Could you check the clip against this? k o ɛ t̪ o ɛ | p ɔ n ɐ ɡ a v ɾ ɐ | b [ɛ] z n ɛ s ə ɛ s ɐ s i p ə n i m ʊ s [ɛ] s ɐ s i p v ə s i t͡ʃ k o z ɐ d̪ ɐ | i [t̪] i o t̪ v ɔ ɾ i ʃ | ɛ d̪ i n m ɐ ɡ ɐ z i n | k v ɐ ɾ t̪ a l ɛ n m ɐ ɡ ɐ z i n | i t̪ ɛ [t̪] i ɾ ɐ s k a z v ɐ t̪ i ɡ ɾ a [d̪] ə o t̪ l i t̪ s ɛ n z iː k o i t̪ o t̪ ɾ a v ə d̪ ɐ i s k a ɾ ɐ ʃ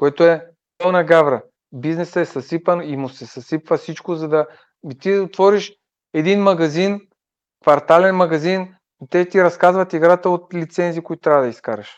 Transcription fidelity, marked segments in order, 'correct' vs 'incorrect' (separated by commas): incorrect, correct, correct, correct, incorrect